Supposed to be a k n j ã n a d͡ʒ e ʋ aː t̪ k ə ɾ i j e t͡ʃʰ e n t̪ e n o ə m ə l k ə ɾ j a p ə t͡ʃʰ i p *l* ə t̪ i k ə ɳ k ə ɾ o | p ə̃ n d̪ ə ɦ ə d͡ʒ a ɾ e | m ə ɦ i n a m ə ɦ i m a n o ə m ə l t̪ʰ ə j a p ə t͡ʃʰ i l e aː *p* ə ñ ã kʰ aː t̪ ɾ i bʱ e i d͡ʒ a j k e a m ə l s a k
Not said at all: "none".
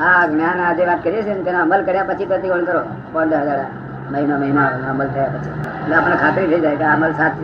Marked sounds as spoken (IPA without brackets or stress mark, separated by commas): ɾ, p